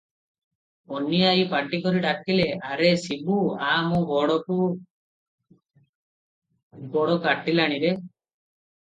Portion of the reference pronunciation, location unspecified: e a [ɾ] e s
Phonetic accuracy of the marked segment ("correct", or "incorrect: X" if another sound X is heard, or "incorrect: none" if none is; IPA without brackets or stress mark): correct